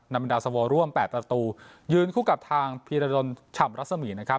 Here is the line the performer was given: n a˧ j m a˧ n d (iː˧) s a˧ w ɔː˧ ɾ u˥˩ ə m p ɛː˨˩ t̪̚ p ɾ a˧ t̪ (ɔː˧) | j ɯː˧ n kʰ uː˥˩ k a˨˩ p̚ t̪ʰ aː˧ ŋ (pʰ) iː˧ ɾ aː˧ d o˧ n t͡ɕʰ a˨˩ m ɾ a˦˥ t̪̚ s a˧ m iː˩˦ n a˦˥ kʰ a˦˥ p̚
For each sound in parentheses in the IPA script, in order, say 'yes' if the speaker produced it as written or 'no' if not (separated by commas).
no, no, yes